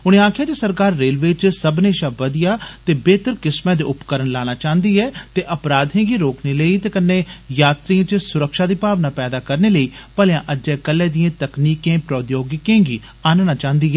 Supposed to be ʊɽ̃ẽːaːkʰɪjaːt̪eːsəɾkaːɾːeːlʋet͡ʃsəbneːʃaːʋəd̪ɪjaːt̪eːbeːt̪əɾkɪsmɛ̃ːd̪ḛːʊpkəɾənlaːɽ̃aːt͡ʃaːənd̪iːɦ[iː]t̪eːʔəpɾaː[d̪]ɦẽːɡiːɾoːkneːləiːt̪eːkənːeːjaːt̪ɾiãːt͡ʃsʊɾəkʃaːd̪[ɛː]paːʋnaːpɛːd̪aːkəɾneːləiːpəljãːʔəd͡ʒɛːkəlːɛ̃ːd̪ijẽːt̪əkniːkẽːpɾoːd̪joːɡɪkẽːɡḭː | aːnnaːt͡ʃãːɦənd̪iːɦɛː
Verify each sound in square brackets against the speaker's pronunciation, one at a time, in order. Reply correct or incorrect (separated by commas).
incorrect, correct, incorrect